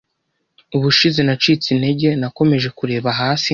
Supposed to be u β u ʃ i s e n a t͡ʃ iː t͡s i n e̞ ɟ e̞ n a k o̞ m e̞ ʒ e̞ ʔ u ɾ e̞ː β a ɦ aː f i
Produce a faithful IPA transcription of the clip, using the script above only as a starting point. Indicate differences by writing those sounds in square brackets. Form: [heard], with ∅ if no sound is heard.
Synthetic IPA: u β u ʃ i [z] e n a t͡ʃ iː t͡s i n e̞ ɟ e̞ n a k o̞ m e̞ ʒ e̞ [k] u ɾ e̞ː β a ɦ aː [s] i